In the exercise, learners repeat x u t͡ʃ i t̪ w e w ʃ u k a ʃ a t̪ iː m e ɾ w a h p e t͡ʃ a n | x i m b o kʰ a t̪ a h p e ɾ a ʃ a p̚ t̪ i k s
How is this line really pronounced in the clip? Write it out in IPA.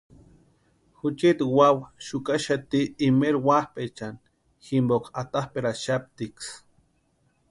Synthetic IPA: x u t͡ʃ i t̪ w a w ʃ u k a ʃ a t̪ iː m e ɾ w a h p e t͡ʃ a n | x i m b o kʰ a t̪ a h p e ɾ a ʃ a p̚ t̪ i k s